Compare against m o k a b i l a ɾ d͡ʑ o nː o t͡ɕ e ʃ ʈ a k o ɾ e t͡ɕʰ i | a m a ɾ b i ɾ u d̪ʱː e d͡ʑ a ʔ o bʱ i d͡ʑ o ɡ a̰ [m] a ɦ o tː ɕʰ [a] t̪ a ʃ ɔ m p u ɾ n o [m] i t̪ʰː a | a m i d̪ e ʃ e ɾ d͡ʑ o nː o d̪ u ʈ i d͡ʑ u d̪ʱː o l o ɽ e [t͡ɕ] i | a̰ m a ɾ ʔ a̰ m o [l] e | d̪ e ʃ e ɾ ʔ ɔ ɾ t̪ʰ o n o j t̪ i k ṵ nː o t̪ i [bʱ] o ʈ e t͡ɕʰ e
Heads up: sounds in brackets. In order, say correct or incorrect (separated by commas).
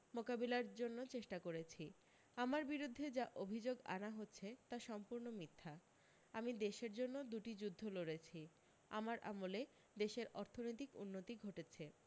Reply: incorrect, incorrect, correct, incorrect, correct, incorrect